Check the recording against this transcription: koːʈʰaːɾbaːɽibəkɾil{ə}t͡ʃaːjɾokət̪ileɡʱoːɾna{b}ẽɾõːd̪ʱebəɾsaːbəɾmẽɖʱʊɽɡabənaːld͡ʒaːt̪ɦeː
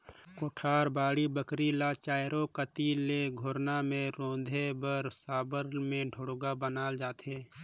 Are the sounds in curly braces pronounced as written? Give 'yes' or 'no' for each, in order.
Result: no, no

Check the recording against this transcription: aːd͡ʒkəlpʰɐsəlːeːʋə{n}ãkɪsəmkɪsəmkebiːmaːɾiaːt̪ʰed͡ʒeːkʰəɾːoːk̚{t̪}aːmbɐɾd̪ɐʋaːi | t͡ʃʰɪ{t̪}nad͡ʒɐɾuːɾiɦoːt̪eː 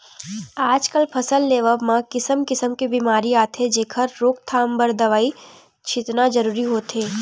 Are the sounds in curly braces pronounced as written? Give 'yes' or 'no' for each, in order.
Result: no, no, yes

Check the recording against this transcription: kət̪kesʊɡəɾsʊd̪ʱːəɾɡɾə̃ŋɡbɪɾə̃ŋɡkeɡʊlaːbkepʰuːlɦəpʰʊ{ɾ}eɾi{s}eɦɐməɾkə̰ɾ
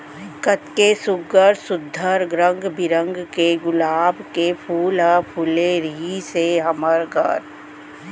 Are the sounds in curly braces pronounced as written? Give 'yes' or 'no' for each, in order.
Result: no, yes

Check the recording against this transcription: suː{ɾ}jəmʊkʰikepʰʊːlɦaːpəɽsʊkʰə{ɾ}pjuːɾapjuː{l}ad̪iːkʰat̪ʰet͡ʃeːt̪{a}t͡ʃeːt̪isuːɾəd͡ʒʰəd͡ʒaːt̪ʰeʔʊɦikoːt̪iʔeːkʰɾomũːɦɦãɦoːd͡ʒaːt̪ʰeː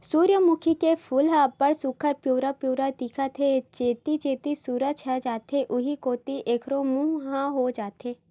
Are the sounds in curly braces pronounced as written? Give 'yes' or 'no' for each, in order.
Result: yes, yes, no, no

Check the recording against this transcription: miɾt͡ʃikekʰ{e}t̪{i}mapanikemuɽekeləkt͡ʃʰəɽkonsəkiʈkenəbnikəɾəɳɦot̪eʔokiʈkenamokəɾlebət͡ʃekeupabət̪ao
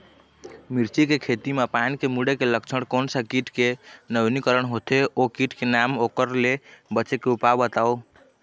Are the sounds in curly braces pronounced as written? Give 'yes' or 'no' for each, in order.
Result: yes, yes

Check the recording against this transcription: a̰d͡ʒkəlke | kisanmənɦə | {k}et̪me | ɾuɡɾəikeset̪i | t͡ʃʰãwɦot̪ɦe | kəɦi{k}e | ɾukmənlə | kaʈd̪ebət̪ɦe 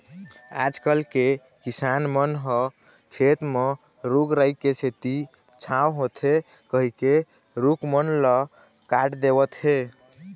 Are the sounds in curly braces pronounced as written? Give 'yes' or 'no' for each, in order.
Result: no, yes

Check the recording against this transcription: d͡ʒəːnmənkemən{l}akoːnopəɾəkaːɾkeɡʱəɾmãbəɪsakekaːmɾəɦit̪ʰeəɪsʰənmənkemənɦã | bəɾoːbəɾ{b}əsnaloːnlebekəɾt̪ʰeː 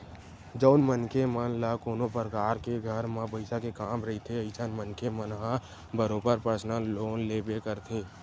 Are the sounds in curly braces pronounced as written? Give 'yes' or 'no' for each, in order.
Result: yes, no

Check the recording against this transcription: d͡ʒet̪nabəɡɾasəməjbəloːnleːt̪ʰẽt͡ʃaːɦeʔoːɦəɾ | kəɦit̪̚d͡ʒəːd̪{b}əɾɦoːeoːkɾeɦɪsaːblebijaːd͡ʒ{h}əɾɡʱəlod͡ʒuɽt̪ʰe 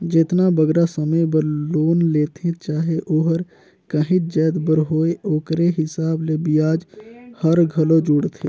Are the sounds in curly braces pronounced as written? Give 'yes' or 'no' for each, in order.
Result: yes, yes

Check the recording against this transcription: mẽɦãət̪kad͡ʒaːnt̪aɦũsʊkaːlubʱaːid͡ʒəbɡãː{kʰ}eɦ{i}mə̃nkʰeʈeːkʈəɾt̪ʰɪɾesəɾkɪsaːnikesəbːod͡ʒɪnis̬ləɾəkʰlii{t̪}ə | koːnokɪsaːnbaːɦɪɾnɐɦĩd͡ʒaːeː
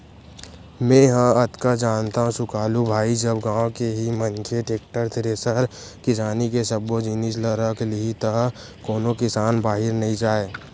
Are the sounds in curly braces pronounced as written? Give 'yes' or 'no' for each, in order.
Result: no, yes, yes

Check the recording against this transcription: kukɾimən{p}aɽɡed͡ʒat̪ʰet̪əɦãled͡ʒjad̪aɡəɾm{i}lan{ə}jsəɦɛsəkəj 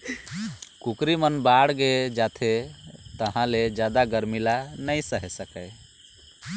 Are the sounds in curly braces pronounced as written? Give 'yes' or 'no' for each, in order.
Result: no, yes, yes

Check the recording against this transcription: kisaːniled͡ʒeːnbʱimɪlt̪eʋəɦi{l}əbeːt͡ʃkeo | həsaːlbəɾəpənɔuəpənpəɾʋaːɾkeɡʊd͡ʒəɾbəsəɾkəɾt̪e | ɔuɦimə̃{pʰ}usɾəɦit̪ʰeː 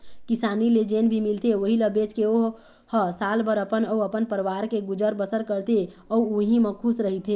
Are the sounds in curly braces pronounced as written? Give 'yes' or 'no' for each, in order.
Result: yes, no

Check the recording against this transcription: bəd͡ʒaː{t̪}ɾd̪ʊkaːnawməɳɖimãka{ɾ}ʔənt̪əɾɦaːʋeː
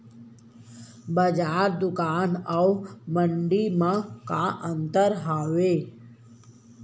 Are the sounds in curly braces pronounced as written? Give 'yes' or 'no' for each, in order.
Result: no, no

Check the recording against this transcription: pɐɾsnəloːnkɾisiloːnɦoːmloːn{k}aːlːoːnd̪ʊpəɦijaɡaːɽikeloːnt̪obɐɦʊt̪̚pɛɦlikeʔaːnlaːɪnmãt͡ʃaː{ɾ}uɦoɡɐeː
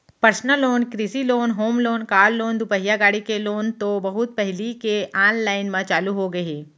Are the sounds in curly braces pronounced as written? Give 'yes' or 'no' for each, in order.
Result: yes, no

